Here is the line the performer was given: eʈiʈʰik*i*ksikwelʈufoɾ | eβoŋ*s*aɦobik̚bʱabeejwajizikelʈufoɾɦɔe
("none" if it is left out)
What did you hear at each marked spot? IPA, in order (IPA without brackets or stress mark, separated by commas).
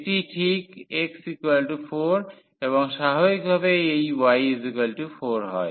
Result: e, ʃ